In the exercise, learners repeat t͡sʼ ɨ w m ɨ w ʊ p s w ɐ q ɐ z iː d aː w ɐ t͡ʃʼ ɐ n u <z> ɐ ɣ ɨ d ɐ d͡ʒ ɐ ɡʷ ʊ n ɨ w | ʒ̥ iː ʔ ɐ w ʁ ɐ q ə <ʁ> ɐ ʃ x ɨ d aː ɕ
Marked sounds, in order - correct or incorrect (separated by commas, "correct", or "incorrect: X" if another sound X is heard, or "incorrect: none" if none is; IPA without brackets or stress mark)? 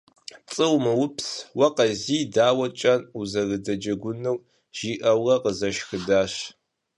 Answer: correct, incorrect: z